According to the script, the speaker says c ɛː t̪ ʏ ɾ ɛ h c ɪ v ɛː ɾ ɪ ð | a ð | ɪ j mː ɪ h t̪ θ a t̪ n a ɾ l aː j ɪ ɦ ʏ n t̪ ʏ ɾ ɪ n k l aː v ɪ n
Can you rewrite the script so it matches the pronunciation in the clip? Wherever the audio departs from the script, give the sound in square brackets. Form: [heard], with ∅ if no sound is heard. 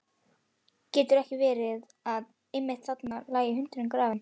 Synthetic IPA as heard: c ɛː t̪ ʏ ɾ ɛ h c ɪ v ɛː ɾ ɪ ð | a ð | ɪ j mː ɪ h t̪ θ a t̪ n a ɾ l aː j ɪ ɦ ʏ n t̪ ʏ ɾ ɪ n k [ɾ] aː v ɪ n